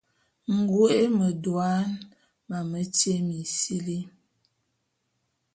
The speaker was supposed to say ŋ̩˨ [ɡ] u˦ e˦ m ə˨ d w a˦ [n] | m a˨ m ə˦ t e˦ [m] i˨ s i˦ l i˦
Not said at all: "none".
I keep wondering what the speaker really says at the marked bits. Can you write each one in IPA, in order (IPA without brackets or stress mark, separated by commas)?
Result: ɡ, n, m